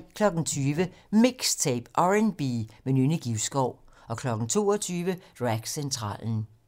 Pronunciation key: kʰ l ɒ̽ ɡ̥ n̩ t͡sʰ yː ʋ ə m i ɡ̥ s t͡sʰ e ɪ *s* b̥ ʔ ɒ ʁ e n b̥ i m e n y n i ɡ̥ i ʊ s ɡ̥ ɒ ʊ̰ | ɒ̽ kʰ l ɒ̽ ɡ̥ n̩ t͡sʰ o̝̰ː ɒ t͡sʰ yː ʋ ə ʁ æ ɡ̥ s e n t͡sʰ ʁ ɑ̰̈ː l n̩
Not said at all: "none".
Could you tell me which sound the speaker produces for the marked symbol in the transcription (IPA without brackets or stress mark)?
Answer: none